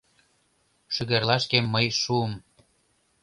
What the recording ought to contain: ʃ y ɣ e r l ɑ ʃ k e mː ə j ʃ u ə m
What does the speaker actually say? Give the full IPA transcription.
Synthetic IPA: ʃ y ɣ e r l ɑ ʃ k e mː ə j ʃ u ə m